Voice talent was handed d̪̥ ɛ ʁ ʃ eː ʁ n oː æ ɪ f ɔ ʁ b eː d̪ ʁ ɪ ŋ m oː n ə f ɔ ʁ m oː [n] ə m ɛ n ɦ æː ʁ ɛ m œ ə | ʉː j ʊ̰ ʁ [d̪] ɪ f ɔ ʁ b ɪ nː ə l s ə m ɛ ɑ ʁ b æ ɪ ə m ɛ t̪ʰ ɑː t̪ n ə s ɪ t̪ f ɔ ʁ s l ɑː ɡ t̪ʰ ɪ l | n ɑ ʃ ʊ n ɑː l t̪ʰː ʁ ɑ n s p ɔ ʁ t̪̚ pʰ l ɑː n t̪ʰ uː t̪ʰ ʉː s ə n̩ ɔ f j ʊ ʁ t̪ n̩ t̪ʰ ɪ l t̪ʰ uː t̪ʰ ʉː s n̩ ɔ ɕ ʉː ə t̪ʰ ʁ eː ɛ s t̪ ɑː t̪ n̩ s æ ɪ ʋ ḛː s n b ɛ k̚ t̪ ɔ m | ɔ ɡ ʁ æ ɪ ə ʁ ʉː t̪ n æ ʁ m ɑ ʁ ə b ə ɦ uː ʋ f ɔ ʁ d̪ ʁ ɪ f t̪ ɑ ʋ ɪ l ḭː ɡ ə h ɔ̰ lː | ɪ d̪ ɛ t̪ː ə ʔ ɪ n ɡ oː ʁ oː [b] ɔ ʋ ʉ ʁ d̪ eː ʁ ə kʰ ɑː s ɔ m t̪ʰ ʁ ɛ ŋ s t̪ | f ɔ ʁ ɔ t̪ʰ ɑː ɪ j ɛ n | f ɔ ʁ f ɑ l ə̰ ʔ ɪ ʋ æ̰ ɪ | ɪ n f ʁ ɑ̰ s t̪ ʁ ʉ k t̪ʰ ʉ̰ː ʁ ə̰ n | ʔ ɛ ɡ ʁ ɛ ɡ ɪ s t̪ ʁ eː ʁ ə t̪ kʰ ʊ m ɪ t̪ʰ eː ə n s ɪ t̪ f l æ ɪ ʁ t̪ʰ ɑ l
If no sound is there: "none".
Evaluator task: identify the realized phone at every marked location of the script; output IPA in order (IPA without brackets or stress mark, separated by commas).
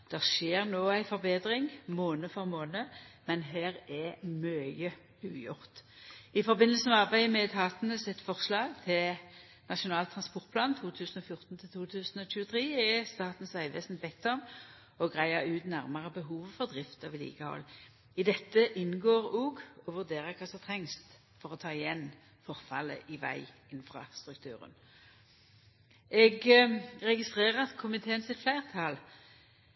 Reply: n, t̪, ɡ